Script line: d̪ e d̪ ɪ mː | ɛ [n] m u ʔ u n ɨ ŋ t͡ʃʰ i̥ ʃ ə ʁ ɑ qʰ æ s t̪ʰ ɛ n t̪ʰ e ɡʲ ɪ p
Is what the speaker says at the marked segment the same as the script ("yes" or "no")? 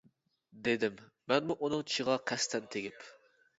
yes